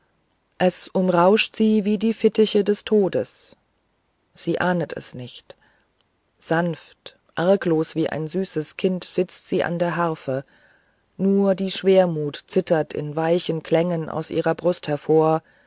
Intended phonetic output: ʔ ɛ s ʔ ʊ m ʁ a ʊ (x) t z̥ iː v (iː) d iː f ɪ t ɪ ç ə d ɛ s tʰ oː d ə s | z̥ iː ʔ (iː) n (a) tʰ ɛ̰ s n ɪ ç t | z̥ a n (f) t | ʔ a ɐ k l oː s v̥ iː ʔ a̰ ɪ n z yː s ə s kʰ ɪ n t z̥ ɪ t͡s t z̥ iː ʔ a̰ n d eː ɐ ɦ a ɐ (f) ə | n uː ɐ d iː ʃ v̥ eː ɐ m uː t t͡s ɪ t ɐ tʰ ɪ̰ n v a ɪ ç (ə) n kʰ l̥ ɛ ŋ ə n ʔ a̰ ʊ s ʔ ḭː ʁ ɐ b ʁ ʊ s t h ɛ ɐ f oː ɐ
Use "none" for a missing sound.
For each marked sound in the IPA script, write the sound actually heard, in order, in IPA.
ʃ, iː, aː, ə, f, f, ə

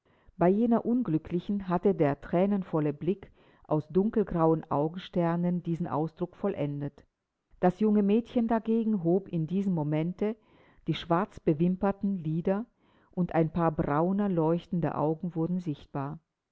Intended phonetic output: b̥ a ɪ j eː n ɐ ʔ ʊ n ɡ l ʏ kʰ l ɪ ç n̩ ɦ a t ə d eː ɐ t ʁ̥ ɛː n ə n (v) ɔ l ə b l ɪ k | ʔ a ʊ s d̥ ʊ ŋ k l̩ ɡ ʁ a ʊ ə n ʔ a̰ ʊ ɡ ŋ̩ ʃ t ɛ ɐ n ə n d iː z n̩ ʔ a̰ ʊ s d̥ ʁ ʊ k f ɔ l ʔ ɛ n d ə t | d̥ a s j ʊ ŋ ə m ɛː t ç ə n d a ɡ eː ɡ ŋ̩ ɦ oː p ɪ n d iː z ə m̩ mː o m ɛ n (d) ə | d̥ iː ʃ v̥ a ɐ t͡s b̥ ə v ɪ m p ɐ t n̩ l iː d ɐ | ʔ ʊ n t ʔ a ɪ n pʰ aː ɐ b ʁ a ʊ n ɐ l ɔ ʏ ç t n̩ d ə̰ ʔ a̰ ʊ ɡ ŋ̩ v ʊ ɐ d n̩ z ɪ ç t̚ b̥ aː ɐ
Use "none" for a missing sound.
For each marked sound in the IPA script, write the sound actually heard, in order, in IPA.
f, t

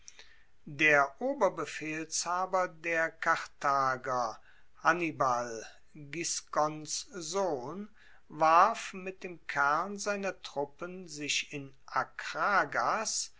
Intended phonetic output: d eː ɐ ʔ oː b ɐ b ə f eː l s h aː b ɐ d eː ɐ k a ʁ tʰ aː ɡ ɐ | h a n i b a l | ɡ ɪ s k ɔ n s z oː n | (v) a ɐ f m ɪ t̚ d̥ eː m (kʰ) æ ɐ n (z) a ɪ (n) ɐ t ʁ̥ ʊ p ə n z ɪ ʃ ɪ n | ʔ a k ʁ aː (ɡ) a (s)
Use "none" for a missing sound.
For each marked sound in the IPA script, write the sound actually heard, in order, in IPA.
v, kʰ, z, n, ɡ, s

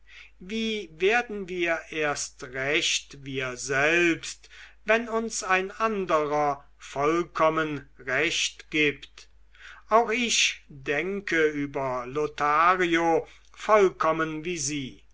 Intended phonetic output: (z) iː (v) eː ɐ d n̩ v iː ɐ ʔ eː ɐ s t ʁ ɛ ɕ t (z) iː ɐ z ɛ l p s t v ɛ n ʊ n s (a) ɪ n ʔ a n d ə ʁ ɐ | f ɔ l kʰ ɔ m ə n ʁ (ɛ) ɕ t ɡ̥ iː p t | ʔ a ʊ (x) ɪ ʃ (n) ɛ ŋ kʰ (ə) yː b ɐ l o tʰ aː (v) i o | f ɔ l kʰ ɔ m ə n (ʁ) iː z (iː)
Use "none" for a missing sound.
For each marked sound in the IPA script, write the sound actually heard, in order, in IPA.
v, v, v, a, ɛ, x, d, ə, ʁ, v, iː

